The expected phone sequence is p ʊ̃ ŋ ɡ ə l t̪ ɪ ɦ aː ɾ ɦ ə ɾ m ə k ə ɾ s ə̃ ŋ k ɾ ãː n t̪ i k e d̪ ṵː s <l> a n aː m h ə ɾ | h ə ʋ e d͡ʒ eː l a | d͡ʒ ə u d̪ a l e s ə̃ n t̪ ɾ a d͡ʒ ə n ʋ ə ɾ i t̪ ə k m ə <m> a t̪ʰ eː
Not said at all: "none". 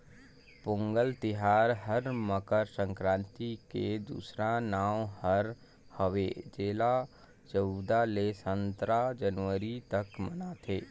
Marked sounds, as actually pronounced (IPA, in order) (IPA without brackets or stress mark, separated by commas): ɾ, n